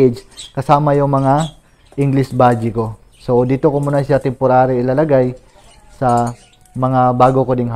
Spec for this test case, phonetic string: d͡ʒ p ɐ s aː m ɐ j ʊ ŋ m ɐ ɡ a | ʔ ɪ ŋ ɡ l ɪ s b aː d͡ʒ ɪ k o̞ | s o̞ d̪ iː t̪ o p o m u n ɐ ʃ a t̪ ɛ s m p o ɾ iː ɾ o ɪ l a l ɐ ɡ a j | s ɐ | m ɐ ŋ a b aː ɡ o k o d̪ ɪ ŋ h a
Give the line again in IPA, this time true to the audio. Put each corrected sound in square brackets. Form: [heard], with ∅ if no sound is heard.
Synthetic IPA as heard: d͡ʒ [k] ɐ s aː m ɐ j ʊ ŋ m ɐ [ŋ] a | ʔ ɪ ŋ ɡ l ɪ s b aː d͡ʒ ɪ k o̞ | s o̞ d̪ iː t̪ o [k] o m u n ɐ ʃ a t̪ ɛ [∅] m p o ɾ [aː] ɾ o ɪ l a l ɐ ɡ a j | s ɐ | m ɐ ŋ a b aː ɡ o k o d̪ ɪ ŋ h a